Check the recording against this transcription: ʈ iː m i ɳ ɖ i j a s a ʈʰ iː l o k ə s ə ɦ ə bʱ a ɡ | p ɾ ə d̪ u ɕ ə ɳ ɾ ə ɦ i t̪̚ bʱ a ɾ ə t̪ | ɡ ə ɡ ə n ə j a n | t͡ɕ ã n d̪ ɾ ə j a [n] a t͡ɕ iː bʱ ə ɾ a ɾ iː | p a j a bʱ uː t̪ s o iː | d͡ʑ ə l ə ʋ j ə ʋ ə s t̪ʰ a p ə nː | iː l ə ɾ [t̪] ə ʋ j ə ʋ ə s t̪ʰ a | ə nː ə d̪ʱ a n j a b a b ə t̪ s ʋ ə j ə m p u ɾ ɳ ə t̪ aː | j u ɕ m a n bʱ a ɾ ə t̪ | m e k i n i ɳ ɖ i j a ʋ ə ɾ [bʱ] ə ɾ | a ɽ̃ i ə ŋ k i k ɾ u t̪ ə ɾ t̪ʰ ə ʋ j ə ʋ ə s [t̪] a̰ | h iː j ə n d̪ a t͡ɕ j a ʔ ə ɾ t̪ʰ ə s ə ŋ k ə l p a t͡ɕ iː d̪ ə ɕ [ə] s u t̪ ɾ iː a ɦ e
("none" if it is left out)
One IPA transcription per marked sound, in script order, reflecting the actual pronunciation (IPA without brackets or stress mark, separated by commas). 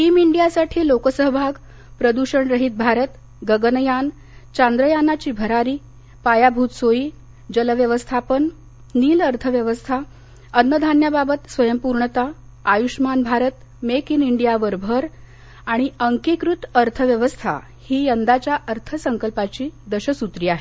n, t̪ʰ, bʱ, t̪ʰ, ə